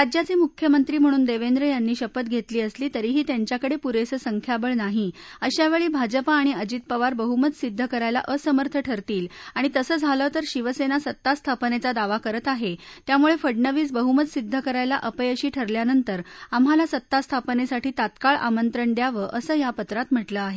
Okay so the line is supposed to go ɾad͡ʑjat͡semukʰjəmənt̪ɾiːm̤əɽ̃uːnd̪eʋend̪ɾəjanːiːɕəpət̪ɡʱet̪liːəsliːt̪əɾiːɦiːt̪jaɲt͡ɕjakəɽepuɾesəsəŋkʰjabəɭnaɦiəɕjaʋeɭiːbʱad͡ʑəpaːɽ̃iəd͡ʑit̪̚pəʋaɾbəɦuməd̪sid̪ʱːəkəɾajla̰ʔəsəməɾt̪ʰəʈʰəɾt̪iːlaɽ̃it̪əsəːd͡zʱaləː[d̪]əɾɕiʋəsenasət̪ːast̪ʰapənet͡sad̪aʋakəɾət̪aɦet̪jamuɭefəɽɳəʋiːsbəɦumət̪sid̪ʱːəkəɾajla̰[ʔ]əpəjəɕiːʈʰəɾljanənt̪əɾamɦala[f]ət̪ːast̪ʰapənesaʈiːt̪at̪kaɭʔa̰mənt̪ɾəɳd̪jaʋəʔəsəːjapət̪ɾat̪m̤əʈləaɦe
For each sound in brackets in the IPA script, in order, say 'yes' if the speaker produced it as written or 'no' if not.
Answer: no, yes, no

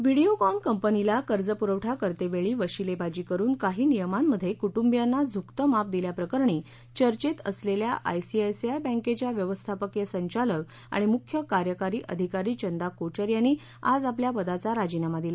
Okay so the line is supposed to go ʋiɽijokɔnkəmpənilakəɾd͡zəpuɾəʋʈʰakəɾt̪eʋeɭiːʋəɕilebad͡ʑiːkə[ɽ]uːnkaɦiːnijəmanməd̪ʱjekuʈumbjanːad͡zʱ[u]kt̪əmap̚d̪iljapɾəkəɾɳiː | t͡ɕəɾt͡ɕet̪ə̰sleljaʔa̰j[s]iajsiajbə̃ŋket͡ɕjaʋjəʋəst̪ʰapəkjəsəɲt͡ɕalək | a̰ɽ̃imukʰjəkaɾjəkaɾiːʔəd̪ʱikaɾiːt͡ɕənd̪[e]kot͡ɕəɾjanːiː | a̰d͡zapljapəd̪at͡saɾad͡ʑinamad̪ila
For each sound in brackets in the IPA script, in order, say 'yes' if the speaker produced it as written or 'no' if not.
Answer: no, yes, yes, no

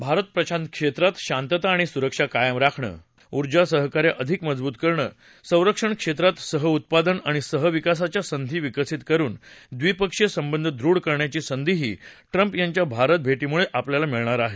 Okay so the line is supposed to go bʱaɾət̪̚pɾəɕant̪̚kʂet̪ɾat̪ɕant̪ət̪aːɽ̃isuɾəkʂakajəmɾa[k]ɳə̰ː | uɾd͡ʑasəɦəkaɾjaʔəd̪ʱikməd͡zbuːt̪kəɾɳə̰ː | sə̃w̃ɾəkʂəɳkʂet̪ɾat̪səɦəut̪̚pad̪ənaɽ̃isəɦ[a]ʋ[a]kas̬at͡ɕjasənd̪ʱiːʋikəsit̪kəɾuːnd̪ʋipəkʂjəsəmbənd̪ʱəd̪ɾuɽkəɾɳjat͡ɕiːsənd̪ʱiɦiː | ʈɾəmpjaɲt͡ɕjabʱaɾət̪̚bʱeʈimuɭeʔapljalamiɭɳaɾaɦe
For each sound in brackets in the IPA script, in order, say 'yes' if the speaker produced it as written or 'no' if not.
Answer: no, no, no

